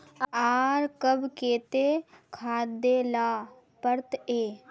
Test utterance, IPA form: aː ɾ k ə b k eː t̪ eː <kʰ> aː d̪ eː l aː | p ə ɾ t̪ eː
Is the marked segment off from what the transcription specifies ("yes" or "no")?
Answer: no